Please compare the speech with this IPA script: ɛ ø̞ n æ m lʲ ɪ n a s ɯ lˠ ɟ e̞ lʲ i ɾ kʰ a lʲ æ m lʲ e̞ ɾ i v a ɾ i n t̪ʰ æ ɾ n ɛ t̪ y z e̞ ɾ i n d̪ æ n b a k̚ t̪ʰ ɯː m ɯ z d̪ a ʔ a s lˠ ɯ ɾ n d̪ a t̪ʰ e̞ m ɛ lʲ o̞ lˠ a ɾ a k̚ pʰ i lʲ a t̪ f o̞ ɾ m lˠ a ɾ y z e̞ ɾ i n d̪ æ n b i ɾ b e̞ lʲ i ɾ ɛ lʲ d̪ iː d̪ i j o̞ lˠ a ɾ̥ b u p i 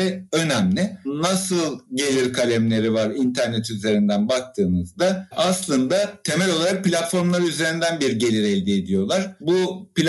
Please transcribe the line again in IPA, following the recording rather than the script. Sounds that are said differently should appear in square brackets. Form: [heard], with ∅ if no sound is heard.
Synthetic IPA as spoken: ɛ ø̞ n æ m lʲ ɪ n a s ɯ lˠ ɟ e̞ lʲ i ɾ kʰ a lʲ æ m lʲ e̞ ɾ i v a ɾ i n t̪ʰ æ ɾ n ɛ t̪ y z e̞ ɾ i n d̪ æ n b a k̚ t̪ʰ ɯː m ɯ z d̪ a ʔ a s lˠ ɯ [∅] n d̪ a t̪ʰ e̞ m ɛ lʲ o̞ lˠ a ɾ a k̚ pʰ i lʲ a t̪ f o̞ ɾ m lˠ a ɾ y z e̞ ɾ i n d̪ æ n b i ɾ [ɟ] e̞ lʲ i ɾ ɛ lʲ d̪ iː d̪ i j o̞ lˠ a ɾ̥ b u p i